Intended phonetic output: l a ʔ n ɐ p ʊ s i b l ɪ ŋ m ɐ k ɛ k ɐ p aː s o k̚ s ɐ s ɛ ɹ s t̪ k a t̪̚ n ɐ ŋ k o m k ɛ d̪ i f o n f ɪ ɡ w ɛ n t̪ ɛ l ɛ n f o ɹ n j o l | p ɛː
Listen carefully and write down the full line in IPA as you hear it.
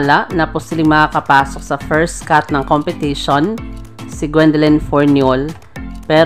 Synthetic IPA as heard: l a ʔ n ɐ p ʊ s i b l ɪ ŋ m ɐ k a k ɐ p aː s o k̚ s ɐ f ɛ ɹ s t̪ k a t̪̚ n ɐ ŋ k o m p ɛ t̪ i ʃ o n s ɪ ɡ w ɛ n d̪ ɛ l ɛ n f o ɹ n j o l | p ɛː